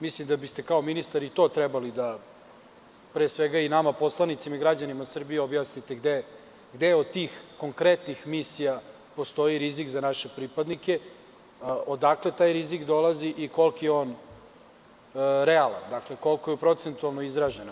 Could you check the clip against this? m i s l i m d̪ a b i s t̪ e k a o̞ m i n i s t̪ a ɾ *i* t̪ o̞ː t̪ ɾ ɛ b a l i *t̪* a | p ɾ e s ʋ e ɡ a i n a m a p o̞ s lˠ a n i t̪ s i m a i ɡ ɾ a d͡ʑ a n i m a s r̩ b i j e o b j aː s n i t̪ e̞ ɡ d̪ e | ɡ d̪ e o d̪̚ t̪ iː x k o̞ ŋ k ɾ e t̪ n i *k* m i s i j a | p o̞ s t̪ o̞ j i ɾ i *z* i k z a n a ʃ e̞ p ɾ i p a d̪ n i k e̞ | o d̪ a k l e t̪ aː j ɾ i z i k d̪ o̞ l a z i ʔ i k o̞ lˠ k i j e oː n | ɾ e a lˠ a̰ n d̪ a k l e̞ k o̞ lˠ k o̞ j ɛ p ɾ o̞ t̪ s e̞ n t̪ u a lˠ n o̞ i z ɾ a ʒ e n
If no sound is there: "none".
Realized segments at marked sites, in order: i, d̪, x, z

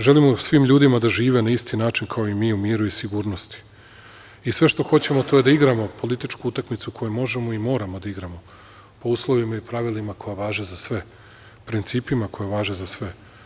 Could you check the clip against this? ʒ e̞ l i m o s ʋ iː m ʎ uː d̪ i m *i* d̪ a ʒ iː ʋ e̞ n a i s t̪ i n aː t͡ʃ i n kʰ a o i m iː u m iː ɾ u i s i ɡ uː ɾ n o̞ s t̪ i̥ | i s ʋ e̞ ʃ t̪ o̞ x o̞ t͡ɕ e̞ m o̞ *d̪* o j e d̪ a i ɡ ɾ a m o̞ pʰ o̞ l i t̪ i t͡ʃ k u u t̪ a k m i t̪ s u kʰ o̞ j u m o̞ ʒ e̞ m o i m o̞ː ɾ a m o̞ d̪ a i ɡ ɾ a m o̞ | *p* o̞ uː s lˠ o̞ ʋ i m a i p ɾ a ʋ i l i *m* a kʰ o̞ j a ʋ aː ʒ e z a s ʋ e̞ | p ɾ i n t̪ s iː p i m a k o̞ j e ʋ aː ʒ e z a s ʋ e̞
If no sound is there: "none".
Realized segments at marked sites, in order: a, t̪, p, m

